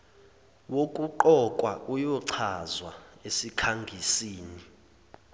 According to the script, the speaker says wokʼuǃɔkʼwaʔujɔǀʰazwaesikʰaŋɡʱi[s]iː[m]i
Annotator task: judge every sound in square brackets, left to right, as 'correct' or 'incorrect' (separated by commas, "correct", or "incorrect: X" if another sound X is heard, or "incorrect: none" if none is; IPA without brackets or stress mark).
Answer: correct, incorrect: n